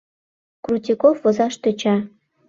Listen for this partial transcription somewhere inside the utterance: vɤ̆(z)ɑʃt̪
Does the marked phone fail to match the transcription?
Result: no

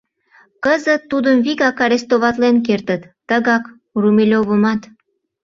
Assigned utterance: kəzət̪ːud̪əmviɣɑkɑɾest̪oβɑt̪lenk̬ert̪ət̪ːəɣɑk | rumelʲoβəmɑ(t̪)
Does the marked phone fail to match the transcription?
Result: no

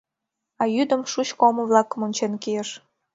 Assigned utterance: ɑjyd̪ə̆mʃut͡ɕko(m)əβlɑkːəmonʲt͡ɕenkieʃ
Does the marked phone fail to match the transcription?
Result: no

